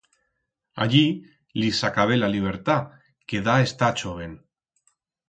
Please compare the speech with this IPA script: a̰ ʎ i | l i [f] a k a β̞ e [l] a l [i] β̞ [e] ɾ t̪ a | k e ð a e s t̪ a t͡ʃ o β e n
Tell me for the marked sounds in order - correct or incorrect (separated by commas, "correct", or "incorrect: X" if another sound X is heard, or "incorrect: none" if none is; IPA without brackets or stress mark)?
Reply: incorrect: s, correct, correct, correct